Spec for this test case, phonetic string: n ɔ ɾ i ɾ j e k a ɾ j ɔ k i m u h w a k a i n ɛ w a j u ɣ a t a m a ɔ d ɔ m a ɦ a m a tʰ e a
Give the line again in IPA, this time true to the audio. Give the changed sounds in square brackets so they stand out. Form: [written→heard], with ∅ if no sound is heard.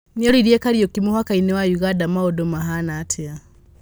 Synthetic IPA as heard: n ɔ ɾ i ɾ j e k a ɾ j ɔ k i m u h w a k a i n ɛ w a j u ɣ a [t→d] a m a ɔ d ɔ m a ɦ a [m→n] a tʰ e a